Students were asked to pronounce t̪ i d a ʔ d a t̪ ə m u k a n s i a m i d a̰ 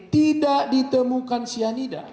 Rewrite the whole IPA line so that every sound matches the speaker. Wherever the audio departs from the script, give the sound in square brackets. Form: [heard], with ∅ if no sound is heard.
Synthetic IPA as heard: t̪ i d a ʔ d [i] t̪ ə m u k a n s i a [n] i d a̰